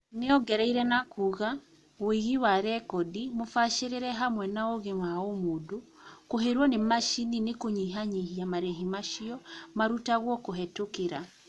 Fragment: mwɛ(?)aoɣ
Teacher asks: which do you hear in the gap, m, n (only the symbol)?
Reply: n